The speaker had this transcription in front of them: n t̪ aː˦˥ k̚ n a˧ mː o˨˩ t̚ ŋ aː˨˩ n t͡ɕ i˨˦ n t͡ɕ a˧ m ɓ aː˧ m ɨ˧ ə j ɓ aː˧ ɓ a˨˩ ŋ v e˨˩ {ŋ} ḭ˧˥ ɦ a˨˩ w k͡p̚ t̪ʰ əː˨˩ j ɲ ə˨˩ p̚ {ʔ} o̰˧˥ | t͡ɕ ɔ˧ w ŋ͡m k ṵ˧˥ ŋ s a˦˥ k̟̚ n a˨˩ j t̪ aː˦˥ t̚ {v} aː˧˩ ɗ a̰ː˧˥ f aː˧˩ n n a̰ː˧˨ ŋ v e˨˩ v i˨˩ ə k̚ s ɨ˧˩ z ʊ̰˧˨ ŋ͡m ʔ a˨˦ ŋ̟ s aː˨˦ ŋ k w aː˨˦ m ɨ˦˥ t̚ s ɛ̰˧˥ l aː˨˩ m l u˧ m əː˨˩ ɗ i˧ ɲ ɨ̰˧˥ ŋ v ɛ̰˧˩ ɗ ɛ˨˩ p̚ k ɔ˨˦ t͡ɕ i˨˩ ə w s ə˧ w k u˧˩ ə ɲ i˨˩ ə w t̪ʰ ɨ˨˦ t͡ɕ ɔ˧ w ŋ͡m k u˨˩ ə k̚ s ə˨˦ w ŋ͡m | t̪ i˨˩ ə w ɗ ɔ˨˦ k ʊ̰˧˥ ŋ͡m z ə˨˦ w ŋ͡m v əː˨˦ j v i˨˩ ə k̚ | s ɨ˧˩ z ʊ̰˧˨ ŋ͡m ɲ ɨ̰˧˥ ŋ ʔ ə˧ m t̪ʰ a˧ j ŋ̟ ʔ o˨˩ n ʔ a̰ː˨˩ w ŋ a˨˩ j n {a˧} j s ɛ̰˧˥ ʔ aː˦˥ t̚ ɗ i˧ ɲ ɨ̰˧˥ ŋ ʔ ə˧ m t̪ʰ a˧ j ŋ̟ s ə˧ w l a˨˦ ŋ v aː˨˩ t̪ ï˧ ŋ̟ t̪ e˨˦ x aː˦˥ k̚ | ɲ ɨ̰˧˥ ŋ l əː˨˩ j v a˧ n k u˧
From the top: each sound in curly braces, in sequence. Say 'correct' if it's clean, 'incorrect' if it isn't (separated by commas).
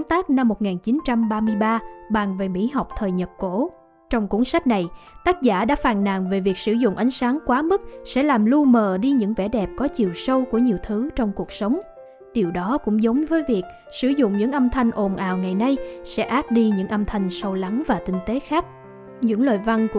incorrect, incorrect, incorrect, correct